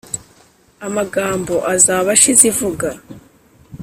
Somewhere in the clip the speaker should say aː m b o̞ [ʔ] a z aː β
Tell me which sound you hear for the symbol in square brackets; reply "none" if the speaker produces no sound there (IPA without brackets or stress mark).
ʔ